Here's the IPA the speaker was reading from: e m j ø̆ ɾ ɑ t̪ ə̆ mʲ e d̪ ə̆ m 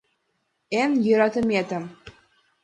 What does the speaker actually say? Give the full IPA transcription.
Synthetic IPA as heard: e n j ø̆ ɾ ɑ t̪ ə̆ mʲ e t̪ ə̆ m